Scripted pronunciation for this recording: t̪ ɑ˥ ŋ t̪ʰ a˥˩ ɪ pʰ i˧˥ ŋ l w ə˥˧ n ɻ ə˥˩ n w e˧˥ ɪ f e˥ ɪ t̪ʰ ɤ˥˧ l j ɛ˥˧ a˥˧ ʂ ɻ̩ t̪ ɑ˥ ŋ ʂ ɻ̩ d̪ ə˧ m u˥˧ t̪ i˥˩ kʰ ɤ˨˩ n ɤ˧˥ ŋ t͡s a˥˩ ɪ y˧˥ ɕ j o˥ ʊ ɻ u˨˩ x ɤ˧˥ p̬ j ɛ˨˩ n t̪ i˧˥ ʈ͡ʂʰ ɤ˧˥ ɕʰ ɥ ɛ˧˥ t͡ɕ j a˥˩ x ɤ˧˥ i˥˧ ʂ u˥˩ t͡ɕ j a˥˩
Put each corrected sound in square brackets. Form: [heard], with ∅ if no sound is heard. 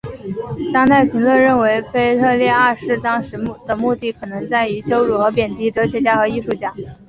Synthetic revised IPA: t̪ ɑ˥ ŋ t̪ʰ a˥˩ ɪ pʰ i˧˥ ŋ l w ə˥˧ n ɻ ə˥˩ n w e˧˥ ɪ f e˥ ɪ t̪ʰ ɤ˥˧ l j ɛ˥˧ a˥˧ ʂ ɻ̩ t̪ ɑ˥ ŋ ʂ ɻ̩ d̪ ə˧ m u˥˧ t̪ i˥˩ kʰ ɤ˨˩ n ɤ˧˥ ŋ t͡s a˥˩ ɪ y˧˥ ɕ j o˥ ʊ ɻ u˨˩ x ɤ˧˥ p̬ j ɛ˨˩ n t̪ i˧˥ [ʈ͡ʂ] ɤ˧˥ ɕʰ ɥ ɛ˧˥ t͡ɕ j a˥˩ x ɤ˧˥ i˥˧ ʂ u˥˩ t͡ɕ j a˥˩